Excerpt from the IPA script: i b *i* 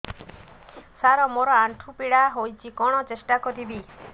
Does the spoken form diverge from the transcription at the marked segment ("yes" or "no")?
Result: no